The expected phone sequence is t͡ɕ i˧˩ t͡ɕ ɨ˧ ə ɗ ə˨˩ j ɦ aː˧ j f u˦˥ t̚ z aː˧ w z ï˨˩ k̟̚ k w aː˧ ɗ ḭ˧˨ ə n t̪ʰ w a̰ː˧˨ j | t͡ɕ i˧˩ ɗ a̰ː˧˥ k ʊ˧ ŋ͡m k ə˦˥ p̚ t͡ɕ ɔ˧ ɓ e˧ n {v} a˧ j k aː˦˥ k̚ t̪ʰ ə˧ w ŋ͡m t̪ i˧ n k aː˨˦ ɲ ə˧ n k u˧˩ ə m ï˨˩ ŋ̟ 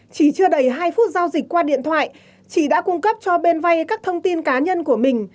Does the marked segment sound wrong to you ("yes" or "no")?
no